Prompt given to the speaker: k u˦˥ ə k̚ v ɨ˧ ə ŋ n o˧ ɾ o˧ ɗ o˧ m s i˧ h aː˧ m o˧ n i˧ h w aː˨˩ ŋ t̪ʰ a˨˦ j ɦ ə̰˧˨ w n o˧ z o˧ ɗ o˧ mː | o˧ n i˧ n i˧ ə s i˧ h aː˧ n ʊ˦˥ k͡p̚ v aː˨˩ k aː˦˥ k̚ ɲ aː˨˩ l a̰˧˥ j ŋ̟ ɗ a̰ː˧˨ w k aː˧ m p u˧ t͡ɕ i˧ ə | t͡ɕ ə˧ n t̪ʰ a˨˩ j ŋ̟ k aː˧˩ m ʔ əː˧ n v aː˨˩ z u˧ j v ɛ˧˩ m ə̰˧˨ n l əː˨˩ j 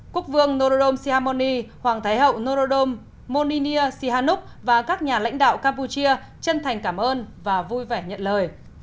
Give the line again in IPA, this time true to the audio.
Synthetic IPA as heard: k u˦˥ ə k̚ v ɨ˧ ə ŋ n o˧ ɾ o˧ ɗ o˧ m s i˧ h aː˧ m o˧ n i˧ h w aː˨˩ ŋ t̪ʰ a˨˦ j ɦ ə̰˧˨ w n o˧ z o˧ ɗ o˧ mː | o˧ n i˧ n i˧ ə s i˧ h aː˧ n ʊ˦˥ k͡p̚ v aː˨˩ k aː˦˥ k̚ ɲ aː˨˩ l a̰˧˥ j ŋ̟ ɗ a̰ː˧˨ w k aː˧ m p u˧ t͡ɕ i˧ ə | t͡ɕ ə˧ n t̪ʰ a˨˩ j ŋ̟ k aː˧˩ m ʔ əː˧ n v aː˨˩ v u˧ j v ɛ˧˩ ɲ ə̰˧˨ n l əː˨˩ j

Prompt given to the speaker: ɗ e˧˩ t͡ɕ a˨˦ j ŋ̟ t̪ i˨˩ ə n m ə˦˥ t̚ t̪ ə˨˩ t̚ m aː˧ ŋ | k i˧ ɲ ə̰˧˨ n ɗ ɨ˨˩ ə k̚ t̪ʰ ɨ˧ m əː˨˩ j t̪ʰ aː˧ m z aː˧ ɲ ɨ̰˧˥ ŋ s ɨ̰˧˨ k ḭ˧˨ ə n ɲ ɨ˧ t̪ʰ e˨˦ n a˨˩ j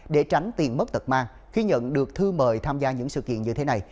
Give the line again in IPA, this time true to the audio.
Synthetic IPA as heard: ɗ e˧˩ t͡ɕ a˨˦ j ŋ̟ t̪ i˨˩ ə n m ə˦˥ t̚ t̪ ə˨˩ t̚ m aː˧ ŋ | x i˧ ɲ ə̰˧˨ n ɗ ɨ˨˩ ə k̚ t̪ʰ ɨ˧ m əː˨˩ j t̪ʰ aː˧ m z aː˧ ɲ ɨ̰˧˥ ŋ s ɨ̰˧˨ k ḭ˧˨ ə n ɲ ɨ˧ t̪ʰ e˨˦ n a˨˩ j

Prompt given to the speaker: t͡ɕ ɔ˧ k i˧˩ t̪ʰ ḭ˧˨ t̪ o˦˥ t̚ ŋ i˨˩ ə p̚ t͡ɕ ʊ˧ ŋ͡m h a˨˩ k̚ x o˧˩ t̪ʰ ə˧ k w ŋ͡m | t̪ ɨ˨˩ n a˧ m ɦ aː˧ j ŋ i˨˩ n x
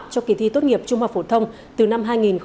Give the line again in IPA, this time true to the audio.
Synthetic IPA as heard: t͡ɕ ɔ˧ k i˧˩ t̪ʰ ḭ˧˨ t̪ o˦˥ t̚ ŋ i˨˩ ə p̚ t͡ɕ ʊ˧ ŋ͡m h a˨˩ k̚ f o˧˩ t̪ʰ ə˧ w ŋ͡m | t̪ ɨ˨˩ n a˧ m ɦ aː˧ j ŋ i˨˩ n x

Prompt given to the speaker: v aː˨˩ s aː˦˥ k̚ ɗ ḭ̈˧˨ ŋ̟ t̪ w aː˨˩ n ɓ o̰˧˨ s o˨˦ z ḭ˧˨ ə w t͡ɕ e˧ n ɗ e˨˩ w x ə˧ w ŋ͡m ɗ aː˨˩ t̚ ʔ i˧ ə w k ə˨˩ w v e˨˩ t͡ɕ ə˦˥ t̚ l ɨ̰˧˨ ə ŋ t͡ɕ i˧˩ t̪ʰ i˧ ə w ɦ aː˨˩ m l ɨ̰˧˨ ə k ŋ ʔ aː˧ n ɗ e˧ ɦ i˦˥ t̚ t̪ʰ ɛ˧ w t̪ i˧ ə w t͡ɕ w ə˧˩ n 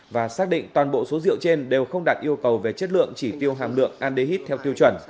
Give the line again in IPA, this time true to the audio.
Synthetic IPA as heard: v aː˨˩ s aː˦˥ k̚ ɗ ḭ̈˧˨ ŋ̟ t̪ w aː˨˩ n ɓ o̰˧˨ s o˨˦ z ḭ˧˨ ə w t͡ɕ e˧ n ɗ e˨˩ w x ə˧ w ŋ͡m ɗ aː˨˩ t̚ ʔ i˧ ə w k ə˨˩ w v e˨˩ t͡ɕ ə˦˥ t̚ l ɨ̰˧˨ ə ŋ t͡ɕ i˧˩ t̪ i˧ ə w ɦ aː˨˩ m l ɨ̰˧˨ ə ŋ ʔ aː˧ n ɗ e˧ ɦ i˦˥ t̚ t̪ʰ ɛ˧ w t̪ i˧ ə w t͡ɕ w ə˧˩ n

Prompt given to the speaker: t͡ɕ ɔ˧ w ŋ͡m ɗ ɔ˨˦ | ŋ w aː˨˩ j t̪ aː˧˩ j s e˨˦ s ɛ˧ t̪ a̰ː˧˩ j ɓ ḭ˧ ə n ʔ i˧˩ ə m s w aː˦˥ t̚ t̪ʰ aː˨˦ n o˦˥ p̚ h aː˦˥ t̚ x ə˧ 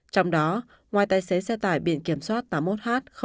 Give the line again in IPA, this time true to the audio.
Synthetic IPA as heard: t͡ɕ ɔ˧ w ŋ͡m ɗ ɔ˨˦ | ŋ w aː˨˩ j t̪ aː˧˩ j s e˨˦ s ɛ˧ t̪ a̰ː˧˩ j ɓ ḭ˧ ə n k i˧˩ ə m s w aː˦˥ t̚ t̪ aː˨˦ m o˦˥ t̚ h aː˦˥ t̚ x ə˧

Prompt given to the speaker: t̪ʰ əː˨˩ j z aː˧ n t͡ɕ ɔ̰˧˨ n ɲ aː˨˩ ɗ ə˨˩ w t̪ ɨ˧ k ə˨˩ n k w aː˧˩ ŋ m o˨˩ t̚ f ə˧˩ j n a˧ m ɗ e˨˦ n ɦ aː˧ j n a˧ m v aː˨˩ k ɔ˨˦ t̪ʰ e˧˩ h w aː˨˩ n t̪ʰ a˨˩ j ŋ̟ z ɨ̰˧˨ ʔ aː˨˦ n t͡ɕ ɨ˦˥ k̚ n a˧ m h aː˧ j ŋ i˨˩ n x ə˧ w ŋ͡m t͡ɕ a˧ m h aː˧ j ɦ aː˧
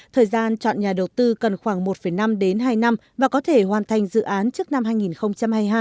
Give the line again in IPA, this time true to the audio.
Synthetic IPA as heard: t̪ʰ əː˨˩ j z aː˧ n t͡ɕ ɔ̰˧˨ n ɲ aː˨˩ ɗ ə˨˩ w t̪ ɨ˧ k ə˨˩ n x w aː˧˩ ŋ m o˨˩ t̚ f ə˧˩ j n a˧ m ɗ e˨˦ n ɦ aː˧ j n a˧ m v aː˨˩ k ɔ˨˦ t̪ʰ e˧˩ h w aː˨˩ n t̪ʰ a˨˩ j ŋ̟ z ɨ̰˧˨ ʔ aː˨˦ n t͡ɕ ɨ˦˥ k̚ n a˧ m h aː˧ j ŋ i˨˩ n x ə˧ w ŋ͡m t͡ɕ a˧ m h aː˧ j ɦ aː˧

